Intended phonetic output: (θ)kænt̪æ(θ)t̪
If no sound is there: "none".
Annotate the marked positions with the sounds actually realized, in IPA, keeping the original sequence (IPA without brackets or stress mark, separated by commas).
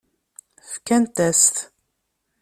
f, s